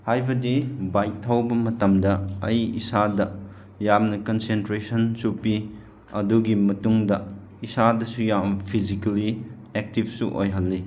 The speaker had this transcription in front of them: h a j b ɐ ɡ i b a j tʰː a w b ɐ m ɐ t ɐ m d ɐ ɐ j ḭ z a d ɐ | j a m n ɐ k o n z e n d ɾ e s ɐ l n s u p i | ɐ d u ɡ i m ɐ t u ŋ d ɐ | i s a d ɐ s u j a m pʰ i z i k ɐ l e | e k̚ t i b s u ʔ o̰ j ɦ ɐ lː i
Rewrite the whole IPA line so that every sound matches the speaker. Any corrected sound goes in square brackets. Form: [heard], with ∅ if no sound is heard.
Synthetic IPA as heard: h a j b ɐ [d] i b a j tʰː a w b ɐ m ɐ t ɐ m d ɐ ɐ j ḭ [s] a d ɐ | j a m n ɐ k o n [s] e n [t] ɾ e s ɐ [∅] n s u p i | ɐ d u ɡ i m ɐ t u ŋ d ɐ | i s a d ɐ s u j a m pʰ i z i k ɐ l [i] | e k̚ t i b s u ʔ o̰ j ɦ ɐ lː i